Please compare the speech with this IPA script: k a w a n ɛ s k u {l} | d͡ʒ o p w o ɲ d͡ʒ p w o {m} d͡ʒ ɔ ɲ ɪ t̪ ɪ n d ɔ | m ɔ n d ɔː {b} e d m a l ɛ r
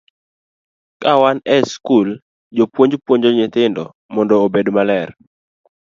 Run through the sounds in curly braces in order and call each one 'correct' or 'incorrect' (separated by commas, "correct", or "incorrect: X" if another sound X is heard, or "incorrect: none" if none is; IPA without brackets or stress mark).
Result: correct, incorrect: ɲ, correct